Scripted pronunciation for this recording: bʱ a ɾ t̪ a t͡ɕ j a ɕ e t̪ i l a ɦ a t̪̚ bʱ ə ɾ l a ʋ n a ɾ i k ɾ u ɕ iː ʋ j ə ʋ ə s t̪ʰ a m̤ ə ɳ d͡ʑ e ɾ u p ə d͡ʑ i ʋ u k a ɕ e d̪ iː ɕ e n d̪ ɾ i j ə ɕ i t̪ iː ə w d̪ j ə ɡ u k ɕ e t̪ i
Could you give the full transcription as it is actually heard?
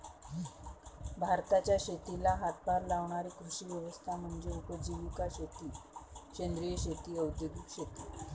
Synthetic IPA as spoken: bʱ a ɾ t̪ a t͡ɕ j a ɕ e t̪ i l a ɦ a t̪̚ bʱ a ɾ l a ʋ ɳ a ɾ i k ɾ u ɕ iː ʋ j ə ʋ ə s t̪ʰ a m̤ ə ɳ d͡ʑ e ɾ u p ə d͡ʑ i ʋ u k a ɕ e t̪ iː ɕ e n d̪ ɾ i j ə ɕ e t̪ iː ə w d̪ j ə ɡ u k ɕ e t̪ i